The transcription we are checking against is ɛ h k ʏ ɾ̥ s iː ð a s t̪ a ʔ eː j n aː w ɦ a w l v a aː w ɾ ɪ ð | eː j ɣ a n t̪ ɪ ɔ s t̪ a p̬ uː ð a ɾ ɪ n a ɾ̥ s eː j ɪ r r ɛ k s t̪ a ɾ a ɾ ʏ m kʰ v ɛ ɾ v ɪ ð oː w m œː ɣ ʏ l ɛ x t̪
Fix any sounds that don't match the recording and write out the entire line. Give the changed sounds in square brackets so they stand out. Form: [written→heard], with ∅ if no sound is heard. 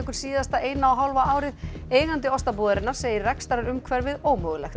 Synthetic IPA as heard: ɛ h k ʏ ɾ̥ s iː ð a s t̪ a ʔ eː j n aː w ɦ a w l v a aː w ɾ ɪ ð | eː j ɣ a n t̪ ɪ ɔ s t̪ a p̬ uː ð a ɾ ɪ n a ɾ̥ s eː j ɪ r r ɛ k s t̪ a ɾ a ɾ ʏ m kʰ v ɛ ɾ v ɪ ð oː w m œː ɣ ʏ l ɛ x t̪